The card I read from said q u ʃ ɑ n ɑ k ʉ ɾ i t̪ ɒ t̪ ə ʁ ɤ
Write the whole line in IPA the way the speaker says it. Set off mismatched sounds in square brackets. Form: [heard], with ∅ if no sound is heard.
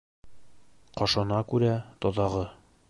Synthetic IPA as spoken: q [ɒ] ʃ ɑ n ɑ k ʉ ɾ [æ] t̪ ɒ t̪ [ɑ] ʁ ɤ